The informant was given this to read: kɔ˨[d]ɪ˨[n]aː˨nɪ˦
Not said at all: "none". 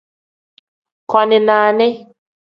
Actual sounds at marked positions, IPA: n, n

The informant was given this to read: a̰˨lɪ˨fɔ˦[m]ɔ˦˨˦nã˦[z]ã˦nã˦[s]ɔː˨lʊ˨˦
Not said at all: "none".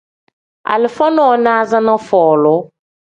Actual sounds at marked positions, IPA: n, z, f

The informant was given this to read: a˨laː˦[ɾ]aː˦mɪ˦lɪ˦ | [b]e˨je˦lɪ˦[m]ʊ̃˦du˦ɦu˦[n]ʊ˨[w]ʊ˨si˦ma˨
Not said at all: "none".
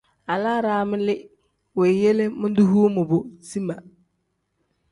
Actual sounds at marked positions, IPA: ɾ, w, m, m, b

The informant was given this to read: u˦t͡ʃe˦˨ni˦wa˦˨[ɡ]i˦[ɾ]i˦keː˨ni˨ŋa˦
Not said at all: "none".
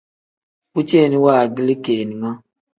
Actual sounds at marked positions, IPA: ɡ, l

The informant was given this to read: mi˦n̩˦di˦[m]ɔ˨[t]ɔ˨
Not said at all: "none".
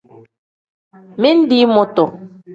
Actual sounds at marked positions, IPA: m, t

